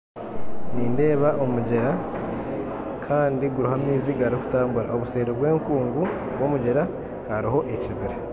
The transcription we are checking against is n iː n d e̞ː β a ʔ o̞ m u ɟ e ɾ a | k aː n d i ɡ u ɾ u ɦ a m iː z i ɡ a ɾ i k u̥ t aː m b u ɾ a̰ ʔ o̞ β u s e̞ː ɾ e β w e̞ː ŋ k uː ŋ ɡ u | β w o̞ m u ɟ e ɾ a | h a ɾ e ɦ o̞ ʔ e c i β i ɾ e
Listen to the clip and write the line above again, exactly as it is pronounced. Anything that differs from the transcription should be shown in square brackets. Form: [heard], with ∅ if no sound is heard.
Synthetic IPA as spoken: n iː n d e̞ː β a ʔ o̞ m u ɟ e ɾ a | [kʰ] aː n d i ɡ u ɾ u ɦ a m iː z i ɡ a ɾ i k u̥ t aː m b u ɾ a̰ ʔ o̞ β u s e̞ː ɾ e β w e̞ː ŋ k uː ŋ ɡ u | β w o̞ m u ɟ e ɾ a | h a ɾ [i] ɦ o̞ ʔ e c i β i ɾ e